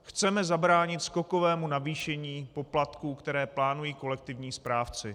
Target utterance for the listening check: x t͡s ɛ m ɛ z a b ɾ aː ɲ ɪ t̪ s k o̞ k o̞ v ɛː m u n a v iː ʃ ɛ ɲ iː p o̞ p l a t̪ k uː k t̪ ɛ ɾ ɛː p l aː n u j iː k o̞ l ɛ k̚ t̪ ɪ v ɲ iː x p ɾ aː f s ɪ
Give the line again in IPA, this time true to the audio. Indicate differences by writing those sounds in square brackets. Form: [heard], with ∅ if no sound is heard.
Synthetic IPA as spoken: x t͡s ɛ m ɛ z a b ɾ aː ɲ ɪ t̪ s k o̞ k o̞ v ɛː m u n a v iː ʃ ɛ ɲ iː p o̞ p l a t̪ k uː k t̪ ɛ ɾ ɛː p l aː n u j iː k o̞ l ɛ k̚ t̪ ɪ v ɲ iː [s] p ɾ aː f [t͡s] ɪ